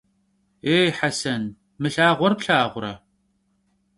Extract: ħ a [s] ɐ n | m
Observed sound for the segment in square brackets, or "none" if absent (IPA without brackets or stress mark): s